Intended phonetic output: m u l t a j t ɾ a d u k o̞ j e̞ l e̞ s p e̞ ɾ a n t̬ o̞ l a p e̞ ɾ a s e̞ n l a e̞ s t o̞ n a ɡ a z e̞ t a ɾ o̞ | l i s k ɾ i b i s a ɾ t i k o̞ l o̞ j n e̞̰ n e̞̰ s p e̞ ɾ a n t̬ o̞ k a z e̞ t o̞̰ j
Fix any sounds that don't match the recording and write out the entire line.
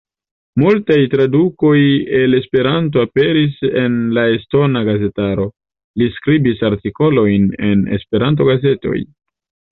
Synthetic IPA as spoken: m u l t a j t ɾ a d u k o̞ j e̞ l e̞ s p e̞ ɾ a n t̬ o̞ a p e̞ ɾ i s e̞ n l a e̞ s t o̞ n a ɡ a z e̞ t a ɾ o̞ | l i s k ɾ i b i s a ɾ t i k o̞ l o̞ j n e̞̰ n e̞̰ s p e̞ ɾ a n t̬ o̞ ɡ a z e̞ t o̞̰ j